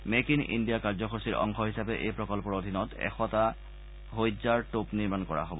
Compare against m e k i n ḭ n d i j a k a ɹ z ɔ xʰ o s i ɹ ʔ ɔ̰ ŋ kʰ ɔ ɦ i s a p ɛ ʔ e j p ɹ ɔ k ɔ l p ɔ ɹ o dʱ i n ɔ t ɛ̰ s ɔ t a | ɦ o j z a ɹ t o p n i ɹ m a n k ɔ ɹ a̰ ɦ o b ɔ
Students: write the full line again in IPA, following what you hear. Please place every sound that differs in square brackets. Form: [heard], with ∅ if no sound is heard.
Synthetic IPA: m e k i n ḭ n d i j a k a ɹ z ɔ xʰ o s i ɹ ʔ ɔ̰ ŋ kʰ ɔ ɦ i s a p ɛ ʔ e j p ɹ ɔ k ɔ l p ɔ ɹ o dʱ i n ɔ t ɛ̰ [x] ɔ t a | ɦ o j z a ɹ t o p n i ɹ m a n k ɔ ɹ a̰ ɦ o b ɔ